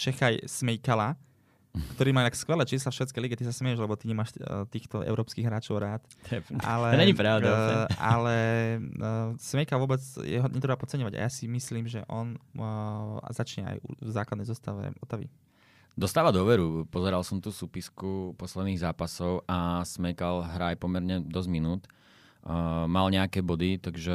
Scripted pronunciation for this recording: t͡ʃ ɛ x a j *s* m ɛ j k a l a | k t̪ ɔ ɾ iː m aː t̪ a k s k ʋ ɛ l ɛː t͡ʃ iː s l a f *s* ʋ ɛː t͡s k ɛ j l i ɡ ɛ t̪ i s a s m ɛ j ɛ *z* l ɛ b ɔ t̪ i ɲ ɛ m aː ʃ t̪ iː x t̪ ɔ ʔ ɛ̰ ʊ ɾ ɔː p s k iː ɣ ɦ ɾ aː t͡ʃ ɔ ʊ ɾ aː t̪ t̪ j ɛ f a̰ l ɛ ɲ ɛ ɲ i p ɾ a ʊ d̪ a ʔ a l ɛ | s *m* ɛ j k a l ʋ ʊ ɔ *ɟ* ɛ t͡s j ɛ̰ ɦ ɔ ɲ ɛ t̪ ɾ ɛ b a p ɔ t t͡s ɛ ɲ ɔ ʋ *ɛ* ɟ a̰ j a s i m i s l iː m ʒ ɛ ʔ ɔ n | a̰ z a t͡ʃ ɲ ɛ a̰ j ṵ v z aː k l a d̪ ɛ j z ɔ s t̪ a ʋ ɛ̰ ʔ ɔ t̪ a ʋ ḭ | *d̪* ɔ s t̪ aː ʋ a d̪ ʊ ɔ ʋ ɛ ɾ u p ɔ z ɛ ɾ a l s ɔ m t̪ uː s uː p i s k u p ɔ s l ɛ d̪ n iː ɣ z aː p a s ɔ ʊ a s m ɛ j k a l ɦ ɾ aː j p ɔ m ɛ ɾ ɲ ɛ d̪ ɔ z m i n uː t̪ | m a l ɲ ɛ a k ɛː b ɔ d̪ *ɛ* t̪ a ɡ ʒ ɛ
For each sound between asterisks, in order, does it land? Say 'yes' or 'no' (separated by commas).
yes, no, no, yes, no, no, yes, no